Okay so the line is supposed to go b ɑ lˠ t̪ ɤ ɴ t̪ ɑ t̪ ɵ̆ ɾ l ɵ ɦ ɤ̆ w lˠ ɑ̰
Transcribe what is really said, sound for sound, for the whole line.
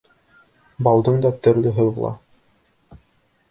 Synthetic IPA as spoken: b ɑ lˠ d̪ ɤ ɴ d̪ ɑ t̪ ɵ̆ ɾ l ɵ ɦ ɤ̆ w lˠ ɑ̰